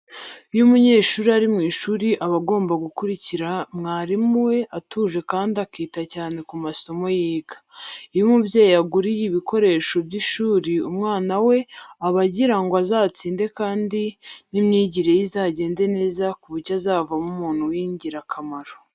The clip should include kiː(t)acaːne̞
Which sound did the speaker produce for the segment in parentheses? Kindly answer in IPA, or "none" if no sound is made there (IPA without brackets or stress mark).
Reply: t